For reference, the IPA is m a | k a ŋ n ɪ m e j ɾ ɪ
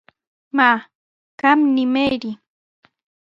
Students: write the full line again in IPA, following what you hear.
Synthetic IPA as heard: m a | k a m n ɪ m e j ɾ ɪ